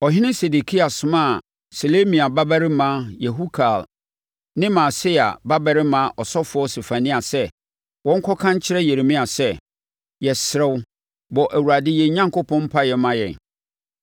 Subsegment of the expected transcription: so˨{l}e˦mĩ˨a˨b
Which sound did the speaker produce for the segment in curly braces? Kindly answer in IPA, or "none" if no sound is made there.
l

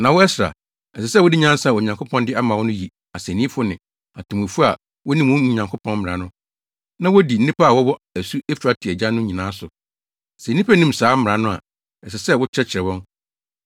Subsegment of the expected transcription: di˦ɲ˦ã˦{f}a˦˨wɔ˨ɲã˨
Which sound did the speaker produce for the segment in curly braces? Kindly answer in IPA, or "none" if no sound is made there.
s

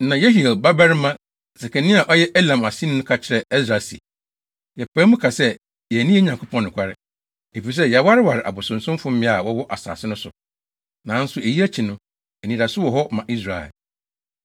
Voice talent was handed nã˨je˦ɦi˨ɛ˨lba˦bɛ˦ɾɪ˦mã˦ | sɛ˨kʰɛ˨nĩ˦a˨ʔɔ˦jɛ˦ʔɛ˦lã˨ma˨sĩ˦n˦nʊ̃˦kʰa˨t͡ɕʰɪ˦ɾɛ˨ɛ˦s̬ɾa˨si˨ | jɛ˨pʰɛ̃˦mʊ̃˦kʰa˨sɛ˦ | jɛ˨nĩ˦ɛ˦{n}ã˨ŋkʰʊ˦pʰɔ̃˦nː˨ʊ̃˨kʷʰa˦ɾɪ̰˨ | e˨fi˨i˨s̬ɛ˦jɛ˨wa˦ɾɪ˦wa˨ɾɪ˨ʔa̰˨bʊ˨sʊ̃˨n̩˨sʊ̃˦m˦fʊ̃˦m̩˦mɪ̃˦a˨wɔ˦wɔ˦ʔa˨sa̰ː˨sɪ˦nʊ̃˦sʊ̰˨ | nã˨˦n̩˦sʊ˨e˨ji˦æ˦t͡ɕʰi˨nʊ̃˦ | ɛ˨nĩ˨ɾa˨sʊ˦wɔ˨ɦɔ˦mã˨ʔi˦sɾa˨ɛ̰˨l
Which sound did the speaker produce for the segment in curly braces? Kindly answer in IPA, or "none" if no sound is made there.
ɲ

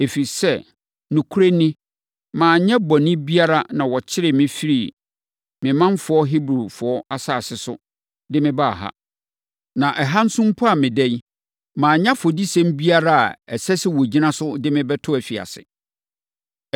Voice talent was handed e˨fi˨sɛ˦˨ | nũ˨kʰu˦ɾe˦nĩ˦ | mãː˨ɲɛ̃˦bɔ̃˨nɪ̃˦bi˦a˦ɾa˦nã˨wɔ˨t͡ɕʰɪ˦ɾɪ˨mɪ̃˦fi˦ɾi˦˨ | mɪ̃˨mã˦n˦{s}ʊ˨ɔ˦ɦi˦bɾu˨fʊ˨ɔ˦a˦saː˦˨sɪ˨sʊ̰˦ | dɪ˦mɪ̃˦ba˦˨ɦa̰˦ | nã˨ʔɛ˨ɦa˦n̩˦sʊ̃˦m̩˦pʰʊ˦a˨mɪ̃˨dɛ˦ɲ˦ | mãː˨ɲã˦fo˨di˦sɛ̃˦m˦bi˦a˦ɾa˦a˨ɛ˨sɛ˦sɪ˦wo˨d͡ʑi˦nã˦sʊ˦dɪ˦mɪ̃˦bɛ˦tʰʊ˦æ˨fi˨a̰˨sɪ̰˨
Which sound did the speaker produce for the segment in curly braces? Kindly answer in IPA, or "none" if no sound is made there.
f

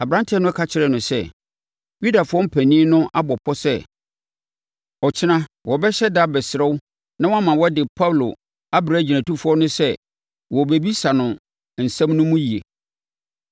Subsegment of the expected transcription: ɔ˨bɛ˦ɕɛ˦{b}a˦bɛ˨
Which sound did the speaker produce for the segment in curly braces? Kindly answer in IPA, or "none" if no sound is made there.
d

